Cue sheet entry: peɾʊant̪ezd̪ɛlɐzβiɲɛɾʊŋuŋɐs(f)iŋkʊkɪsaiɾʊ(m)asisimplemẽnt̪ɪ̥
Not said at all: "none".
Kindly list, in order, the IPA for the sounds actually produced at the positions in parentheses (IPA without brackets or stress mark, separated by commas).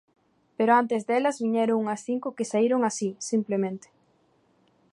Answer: θ, ŋ